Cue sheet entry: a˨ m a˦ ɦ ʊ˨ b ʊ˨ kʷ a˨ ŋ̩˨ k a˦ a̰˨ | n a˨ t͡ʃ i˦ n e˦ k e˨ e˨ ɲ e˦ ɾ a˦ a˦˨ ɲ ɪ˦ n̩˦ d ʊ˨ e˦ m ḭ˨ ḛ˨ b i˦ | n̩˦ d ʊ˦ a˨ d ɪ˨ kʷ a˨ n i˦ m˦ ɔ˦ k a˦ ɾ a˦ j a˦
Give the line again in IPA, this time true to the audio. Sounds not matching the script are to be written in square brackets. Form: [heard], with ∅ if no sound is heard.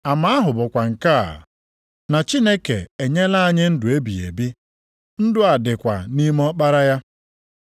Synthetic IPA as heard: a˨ m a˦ ɦ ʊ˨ b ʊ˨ kʷ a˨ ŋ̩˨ k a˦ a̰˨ | n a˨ t͡ʃ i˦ n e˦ k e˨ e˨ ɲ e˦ [l] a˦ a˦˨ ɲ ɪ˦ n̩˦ d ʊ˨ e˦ [b] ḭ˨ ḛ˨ b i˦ | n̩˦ d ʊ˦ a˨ d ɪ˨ kʷ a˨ n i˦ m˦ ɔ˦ [k͡p] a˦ ɾ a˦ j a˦